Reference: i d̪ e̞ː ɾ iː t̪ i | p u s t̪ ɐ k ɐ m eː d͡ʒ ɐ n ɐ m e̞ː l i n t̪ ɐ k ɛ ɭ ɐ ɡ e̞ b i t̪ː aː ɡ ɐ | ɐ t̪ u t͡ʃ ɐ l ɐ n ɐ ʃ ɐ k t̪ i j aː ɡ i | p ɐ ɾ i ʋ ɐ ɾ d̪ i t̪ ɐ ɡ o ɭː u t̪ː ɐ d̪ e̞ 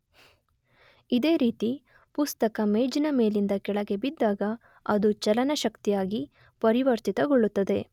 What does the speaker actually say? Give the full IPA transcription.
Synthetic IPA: i d̪ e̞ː ɾ iː t̪ i | p u s t̪ ɐ k ɐ m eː d͡ʒ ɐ n ɐ m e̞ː l i n d̪ ɐ k ɛ ɭ ɐ ɡ e̞ b i d̪ː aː ɡ ɐ | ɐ d̪ u t͡ʃ ɐ l ɐ n ɐ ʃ ɐ k t̪ i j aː ɡ i | p ɐ ɾ i ʋ ɐ ɾ t̪ i t̪ ɐ ɡ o ɭː u t̪ː ɐ d̪ e̞